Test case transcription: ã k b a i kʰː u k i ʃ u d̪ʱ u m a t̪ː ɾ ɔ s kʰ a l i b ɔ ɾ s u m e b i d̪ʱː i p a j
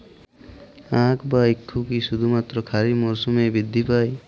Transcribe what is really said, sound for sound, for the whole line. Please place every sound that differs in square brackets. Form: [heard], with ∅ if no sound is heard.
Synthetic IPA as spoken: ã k b a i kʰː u k i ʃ u d̪ʱ u m a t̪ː ɾ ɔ [∅] kʰ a [ɾ] i [m] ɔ ɾ s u m e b i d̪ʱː i p a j